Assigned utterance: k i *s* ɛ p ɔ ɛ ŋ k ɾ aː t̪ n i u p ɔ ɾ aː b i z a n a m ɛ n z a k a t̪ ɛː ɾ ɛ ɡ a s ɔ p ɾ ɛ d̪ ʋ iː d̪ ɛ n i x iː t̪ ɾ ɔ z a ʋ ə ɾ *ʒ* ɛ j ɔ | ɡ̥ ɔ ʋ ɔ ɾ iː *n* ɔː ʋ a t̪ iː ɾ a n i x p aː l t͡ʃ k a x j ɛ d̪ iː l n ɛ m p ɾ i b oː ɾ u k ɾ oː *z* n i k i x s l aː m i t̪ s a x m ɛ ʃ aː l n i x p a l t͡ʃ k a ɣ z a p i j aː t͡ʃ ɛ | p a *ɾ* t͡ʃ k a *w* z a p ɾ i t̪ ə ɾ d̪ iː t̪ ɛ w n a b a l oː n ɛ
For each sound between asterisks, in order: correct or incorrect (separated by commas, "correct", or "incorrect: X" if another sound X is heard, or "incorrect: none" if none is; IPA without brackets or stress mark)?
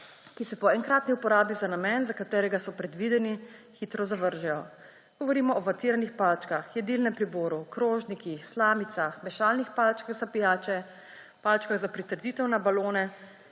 correct, correct, incorrect: m, incorrect: ʒ, incorrect: l, incorrect: ɣ